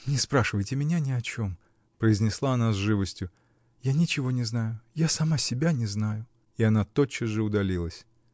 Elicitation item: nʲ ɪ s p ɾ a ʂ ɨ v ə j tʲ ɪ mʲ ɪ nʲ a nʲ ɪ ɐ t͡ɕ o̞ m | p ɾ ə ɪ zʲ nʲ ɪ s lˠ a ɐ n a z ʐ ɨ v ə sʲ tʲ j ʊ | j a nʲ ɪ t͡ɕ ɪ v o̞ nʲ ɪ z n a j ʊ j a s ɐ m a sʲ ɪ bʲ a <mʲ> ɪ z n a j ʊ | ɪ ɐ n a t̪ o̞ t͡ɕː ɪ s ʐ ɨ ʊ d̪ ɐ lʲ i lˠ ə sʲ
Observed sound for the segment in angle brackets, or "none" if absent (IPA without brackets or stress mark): nʲ